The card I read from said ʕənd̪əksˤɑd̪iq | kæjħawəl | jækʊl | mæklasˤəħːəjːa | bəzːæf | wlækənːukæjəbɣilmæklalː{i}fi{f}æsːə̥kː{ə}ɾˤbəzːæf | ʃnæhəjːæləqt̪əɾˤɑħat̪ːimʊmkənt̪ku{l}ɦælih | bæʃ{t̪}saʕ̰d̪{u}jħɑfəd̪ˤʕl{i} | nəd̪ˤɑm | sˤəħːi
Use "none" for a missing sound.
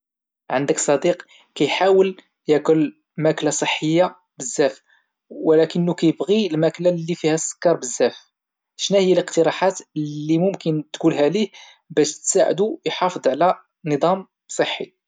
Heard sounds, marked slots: i, h, ɑ, l, t̪, u, æ

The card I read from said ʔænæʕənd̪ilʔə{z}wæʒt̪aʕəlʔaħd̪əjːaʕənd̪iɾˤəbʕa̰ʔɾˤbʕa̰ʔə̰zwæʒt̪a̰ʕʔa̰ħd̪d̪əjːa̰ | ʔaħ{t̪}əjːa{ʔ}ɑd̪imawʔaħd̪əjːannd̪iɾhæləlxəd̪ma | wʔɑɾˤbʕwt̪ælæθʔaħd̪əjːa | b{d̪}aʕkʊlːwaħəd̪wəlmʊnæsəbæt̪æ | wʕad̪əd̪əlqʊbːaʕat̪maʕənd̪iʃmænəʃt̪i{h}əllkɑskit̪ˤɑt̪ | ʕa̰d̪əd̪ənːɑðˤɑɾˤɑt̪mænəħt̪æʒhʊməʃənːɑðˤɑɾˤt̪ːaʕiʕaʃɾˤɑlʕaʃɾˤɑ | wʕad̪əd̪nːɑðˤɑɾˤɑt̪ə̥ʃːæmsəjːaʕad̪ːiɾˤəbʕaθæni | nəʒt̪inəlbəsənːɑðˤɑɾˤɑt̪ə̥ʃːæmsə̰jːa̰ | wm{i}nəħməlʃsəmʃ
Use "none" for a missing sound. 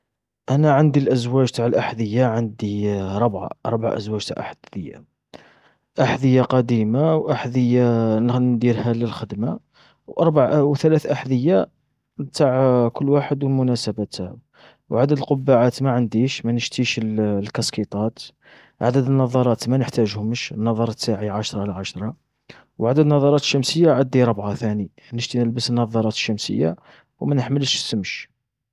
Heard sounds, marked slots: z, d̪, q, t̪, ʃ, æ

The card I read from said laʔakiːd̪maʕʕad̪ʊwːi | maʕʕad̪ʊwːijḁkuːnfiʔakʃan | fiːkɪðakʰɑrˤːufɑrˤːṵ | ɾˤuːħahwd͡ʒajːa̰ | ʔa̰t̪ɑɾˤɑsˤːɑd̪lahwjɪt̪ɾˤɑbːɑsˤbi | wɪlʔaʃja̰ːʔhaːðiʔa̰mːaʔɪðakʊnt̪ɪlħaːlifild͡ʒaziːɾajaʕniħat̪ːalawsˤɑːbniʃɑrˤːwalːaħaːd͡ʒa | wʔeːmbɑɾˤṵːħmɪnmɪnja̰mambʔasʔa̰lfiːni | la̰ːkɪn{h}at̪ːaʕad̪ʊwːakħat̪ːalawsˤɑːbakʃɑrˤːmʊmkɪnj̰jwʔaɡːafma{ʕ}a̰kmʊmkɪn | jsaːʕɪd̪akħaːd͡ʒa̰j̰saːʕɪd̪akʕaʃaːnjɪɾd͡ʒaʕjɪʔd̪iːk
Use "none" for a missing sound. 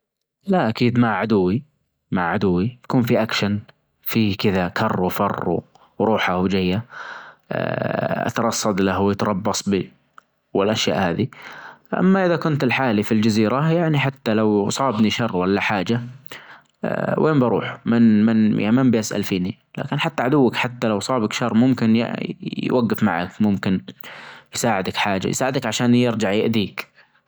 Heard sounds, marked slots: ħ, ʕ

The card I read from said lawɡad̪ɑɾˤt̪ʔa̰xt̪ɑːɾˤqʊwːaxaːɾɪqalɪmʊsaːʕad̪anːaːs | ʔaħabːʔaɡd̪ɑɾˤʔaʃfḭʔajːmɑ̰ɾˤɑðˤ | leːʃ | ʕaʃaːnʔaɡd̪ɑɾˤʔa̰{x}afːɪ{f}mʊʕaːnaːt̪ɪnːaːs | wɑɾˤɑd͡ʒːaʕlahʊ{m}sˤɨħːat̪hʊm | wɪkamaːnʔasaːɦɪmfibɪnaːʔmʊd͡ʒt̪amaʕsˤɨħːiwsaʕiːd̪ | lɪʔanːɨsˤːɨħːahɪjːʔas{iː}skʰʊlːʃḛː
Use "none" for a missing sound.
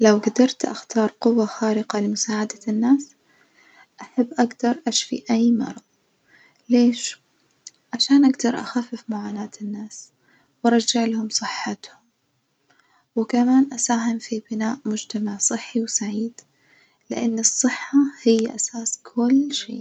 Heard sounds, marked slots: x, f, m, aː

